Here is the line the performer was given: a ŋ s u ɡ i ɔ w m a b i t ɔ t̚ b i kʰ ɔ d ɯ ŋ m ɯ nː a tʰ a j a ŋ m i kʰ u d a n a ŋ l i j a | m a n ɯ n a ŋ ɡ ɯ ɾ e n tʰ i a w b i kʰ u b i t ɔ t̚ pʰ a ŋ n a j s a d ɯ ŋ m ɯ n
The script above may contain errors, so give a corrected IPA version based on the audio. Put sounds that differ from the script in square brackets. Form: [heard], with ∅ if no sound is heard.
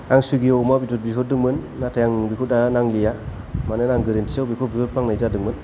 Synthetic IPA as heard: a ŋ s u ɡ i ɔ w m a b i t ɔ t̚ b i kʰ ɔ d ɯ ŋ m ɯ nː a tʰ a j a ŋ [b] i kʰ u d a n a ŋ l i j a | m a n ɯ n a ŋ ɡ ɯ ɾ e n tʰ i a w b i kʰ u b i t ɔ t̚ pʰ a ŋ n a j [z] a d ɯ ŋ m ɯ n